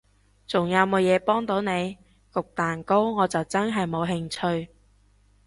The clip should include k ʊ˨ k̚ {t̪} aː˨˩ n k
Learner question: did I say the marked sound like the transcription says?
yes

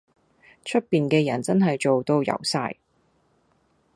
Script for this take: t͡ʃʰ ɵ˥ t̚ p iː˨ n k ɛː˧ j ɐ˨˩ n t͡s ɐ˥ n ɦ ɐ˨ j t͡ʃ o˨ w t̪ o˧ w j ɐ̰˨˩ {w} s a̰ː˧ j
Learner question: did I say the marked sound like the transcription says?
yes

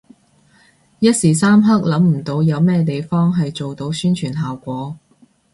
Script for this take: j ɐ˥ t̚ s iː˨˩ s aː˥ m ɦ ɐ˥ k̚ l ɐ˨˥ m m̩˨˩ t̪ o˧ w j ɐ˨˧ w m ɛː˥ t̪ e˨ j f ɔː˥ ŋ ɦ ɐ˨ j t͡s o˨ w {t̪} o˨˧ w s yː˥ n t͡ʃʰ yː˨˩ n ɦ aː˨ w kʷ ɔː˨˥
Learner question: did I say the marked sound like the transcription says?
yes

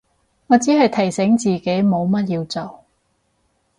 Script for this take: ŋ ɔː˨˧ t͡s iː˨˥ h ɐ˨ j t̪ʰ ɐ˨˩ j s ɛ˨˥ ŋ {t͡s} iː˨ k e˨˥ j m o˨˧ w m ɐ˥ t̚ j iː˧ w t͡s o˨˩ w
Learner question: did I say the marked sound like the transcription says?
yes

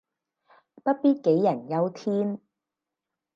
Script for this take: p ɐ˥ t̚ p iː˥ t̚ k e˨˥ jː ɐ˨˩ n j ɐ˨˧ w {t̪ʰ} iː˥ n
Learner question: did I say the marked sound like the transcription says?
yes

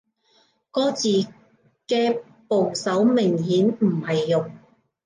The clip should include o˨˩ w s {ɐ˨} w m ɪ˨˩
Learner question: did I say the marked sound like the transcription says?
no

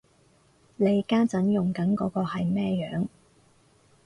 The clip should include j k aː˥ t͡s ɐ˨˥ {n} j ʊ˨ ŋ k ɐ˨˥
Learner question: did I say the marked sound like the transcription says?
yes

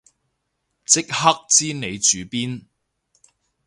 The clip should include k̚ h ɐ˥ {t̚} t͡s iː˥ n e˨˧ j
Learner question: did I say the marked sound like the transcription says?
no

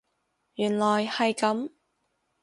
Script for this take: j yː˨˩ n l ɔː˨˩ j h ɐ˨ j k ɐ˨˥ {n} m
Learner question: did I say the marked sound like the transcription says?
no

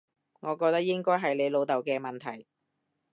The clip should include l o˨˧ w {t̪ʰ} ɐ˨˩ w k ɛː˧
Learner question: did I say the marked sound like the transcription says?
no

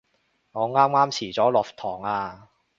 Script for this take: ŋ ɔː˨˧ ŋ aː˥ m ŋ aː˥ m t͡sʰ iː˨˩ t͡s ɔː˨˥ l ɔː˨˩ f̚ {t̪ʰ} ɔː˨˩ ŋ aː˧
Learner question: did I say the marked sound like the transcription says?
yes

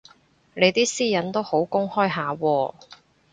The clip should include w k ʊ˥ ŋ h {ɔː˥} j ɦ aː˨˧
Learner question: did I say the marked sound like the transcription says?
yes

